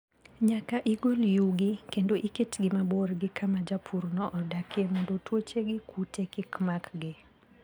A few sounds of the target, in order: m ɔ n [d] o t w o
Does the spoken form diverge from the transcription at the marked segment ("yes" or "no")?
no